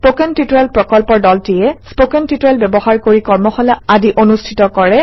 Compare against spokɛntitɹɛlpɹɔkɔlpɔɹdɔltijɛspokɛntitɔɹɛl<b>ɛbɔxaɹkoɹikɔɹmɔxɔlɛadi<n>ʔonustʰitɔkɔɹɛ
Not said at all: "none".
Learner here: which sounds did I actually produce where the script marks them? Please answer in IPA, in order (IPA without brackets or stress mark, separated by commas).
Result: b, none